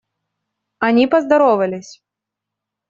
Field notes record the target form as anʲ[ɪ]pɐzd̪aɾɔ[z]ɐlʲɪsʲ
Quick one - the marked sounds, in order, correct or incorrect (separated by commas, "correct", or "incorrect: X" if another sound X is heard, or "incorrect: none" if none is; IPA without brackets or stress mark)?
incorrect: i, incorrect: v